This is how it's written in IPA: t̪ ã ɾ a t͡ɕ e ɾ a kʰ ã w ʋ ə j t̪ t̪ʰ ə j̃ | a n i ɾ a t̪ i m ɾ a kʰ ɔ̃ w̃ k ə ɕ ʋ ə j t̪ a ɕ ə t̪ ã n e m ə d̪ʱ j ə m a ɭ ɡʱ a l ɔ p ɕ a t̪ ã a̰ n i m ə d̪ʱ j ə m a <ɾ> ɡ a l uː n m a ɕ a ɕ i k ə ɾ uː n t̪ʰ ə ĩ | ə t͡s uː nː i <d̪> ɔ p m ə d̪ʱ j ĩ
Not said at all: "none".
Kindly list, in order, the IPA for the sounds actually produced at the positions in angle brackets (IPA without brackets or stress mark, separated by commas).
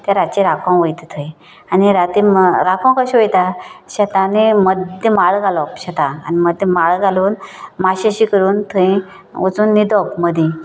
ɭ, d̪